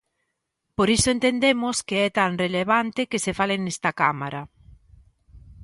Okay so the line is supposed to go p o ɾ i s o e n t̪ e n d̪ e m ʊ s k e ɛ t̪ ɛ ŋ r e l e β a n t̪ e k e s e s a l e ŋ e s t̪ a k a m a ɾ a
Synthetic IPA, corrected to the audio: p o ɾ i s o e n t̪ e n d̪ e m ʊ s k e ɛ t̪ a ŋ r e l e β a n t̪ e k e s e f a l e n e s t̪ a k a m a ɾ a